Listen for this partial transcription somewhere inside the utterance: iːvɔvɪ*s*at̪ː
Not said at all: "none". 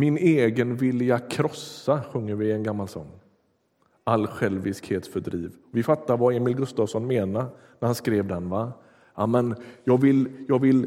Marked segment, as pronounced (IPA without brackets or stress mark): f